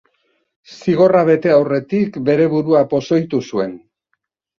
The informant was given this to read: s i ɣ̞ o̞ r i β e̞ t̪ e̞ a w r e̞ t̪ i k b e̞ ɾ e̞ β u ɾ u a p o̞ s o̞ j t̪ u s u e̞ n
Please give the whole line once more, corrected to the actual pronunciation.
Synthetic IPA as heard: s i ɣ̞ o̞ r a β e̞ t̪ e̞ a w r e̞ t̪ i k b e̞ ɾ e̞ β u ɾ u a p o̞ s o̞ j t̪ u s u e̞ n